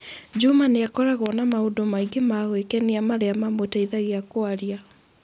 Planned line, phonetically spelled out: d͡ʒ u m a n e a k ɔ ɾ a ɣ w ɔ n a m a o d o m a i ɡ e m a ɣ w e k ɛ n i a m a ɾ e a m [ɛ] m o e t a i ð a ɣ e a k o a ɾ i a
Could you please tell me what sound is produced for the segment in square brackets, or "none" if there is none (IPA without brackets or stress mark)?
a